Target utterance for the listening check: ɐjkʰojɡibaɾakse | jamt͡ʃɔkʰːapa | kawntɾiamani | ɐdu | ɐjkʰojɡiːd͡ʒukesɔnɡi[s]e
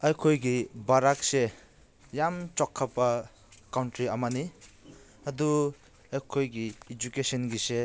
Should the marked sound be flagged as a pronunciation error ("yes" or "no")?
no